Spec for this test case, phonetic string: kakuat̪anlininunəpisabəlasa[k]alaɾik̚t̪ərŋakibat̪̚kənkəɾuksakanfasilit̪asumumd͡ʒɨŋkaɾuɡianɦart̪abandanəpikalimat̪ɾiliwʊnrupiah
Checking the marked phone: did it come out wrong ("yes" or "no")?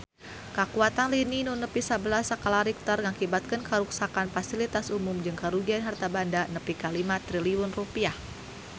no